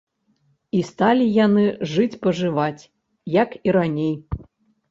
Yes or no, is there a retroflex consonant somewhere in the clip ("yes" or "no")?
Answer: yes